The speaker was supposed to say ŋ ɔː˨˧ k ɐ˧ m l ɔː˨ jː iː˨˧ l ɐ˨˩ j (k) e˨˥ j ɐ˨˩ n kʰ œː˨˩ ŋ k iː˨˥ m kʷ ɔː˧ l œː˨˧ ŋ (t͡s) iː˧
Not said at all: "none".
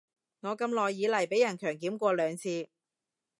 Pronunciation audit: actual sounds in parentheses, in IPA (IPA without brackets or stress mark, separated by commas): p, t͡sʰ